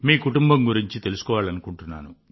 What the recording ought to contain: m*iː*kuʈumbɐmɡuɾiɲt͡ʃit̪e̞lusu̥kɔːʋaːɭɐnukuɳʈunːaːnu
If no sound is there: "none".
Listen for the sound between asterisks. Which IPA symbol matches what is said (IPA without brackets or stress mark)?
iː